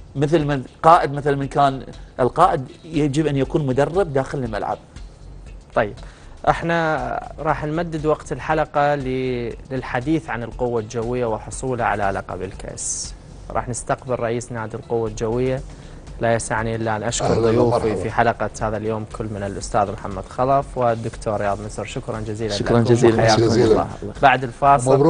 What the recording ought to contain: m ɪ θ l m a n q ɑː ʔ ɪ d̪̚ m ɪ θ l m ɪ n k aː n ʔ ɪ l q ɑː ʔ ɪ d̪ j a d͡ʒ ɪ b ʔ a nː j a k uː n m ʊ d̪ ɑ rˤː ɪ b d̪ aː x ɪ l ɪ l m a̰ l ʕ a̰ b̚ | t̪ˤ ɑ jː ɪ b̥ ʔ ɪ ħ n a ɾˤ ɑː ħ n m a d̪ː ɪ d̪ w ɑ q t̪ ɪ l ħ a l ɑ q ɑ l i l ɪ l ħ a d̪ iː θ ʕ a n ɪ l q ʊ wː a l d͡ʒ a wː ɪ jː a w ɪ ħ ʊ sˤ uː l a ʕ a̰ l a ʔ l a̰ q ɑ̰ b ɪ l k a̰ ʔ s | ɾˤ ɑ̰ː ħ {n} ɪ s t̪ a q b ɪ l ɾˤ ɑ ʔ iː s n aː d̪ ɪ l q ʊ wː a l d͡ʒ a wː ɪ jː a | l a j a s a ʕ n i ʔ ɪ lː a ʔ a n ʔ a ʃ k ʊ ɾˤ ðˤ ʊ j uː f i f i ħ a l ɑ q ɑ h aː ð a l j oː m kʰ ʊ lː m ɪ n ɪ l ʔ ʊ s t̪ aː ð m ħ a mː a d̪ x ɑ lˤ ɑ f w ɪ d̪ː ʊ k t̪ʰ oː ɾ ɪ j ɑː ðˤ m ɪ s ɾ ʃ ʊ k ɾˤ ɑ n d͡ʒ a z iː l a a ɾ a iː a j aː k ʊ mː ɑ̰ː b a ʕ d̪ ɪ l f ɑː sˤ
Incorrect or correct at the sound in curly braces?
correct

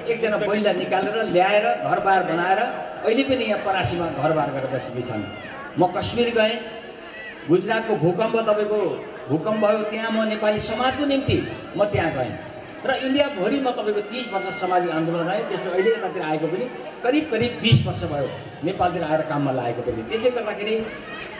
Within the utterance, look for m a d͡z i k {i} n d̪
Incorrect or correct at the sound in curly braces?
incorrect: a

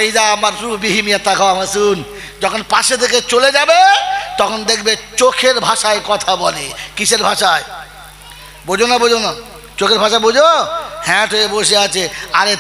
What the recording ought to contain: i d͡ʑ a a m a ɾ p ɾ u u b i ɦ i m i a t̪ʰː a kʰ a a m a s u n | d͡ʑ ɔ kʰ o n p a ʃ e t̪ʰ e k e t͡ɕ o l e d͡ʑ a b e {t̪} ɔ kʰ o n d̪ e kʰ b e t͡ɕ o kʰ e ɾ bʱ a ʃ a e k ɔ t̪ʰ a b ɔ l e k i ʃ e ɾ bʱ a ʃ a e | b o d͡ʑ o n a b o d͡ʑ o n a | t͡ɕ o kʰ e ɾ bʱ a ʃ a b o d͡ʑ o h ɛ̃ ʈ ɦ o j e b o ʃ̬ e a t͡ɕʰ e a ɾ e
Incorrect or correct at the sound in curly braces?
correct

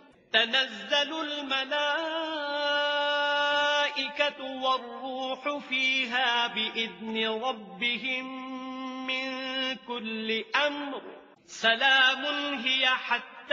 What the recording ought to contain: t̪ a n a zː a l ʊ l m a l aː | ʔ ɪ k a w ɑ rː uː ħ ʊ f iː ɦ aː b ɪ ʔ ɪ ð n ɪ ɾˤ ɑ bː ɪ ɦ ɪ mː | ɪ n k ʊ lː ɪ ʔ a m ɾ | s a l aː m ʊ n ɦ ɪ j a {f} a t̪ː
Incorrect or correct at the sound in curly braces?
incorrect: ħ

